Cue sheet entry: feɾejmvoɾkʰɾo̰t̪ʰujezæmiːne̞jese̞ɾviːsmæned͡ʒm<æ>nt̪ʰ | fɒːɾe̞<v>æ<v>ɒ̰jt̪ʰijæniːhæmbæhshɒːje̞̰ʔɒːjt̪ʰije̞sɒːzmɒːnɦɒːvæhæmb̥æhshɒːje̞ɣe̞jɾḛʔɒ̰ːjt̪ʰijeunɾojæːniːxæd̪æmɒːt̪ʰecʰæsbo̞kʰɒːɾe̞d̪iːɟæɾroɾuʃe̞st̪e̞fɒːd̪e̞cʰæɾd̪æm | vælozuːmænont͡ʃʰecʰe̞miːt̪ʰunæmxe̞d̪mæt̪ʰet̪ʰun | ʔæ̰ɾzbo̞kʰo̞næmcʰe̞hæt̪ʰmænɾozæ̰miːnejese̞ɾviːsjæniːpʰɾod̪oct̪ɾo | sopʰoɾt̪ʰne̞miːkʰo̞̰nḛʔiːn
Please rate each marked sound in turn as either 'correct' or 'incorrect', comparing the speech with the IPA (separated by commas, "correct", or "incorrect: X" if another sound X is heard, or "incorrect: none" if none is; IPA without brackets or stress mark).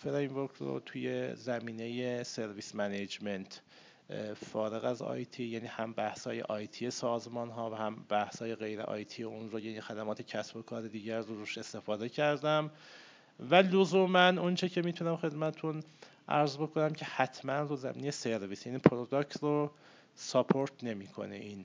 incorrect: e, incorrect: ɣ, incorrect: z